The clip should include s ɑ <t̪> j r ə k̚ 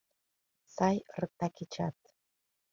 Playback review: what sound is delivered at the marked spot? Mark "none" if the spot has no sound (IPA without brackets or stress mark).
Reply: none